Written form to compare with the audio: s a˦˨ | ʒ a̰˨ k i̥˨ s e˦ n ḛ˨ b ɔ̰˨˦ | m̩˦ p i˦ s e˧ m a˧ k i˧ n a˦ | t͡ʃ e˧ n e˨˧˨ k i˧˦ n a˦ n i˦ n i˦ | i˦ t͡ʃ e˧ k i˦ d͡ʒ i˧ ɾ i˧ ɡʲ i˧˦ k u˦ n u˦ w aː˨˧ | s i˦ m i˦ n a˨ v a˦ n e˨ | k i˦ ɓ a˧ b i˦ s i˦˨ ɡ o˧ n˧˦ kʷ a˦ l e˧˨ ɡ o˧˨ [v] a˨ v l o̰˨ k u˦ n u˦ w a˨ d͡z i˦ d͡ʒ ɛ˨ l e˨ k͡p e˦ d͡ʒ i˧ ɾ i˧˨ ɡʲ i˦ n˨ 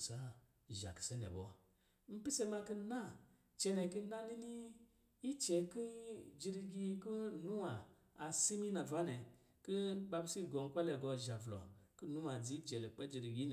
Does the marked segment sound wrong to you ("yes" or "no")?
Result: yes